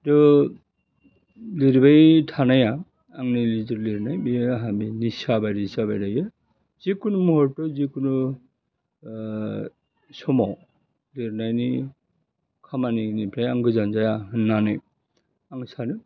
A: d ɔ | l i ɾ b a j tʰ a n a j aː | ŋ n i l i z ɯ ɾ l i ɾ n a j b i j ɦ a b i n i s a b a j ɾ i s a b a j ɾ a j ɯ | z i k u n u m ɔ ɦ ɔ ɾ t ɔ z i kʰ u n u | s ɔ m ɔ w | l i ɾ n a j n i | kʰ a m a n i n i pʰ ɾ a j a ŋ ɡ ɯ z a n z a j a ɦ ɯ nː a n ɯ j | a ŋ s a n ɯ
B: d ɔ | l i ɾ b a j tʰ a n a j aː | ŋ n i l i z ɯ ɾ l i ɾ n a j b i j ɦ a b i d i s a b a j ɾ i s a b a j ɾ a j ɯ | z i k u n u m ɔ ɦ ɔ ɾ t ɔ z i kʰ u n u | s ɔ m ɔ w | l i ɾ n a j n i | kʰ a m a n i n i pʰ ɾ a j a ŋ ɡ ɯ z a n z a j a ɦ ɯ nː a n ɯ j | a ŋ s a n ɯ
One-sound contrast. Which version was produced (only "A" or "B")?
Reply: A